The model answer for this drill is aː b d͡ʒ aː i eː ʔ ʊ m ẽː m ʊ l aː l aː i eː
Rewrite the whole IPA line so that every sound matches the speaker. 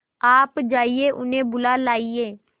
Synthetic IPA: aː p d͡ʒ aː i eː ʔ ʊ n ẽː b ʊ l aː l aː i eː